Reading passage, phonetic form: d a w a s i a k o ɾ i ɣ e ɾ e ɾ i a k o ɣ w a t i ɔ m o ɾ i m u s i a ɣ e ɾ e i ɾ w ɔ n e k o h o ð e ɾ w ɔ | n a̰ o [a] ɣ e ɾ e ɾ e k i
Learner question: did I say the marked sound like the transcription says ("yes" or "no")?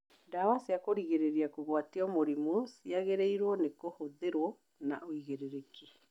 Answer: no